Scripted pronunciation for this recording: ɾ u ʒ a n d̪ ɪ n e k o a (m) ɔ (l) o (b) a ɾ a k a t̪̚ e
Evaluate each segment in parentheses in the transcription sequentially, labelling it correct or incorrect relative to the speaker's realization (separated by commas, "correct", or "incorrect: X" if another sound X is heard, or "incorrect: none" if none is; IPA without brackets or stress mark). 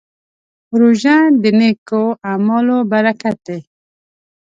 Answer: correct, correct, correct